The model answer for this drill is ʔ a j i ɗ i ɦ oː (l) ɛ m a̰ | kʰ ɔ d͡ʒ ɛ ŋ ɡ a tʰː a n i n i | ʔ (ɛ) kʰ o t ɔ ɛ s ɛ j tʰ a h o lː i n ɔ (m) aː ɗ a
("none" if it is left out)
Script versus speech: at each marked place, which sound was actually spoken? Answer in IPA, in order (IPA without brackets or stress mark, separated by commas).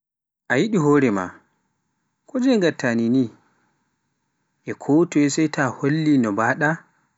ɾ, ɛ, b